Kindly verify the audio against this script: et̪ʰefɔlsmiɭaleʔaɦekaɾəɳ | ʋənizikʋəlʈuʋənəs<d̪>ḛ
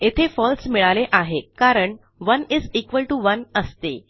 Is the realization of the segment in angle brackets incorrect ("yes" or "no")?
yes